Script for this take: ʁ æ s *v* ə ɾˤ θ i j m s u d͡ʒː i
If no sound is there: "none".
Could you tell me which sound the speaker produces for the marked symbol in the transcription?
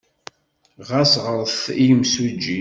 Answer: ʁ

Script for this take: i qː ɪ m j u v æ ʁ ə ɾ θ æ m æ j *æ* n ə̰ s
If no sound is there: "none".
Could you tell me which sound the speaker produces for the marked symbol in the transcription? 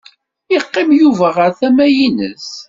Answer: i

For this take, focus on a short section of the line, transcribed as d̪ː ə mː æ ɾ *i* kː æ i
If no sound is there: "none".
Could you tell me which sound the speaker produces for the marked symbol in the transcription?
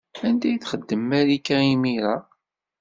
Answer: i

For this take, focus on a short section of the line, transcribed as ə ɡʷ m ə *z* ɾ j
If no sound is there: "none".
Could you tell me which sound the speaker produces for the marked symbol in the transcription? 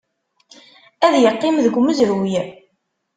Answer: z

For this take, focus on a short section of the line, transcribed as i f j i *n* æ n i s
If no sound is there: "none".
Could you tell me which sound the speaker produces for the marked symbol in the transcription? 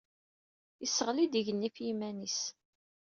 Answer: m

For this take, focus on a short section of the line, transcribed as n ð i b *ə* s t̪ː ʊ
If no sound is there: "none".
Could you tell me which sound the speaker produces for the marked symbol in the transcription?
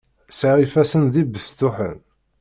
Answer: ə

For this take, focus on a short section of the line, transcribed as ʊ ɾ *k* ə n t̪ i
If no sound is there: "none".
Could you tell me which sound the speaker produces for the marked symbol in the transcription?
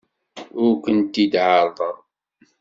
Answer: k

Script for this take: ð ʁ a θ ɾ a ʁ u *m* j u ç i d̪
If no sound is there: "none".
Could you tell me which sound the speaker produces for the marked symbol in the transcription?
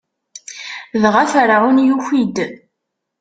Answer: n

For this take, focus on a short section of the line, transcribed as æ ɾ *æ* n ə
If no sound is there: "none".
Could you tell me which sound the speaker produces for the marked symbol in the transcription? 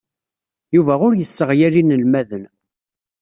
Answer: i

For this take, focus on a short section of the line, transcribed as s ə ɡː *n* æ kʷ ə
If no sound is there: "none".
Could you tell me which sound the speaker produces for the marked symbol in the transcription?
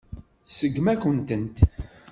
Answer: m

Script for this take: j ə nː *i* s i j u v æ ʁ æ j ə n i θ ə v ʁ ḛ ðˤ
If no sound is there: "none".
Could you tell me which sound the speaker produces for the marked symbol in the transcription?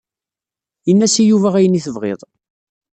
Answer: æ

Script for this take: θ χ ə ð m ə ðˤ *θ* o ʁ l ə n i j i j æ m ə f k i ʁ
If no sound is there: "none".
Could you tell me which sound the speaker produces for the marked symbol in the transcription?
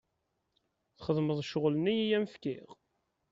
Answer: ʃ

